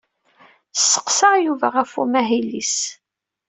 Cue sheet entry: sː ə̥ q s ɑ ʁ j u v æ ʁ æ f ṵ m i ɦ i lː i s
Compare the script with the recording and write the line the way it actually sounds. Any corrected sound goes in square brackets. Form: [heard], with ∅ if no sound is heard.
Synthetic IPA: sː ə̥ q s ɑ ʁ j u v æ ʁ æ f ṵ m [æ] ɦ i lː i s